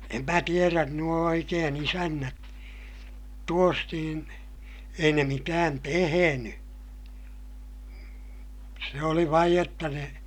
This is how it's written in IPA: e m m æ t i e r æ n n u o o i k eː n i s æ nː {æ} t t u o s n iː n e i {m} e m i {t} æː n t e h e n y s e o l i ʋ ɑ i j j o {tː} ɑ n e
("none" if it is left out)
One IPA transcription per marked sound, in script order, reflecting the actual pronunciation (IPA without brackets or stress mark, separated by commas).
æ, n, t, tː